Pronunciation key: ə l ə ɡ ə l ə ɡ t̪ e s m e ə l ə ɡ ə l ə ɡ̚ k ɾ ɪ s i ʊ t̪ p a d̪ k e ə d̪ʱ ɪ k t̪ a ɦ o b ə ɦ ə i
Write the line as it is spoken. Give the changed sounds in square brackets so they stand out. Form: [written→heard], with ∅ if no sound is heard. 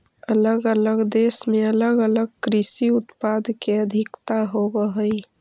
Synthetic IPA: ə l ə ɡ ə l ə ɡ [t̪→d̪] e s m e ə l ə ɡ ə l ə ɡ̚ k ɾ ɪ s i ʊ t̪ p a d̪ k e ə d̪ʱ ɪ k t̪ a ɦ o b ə ɦ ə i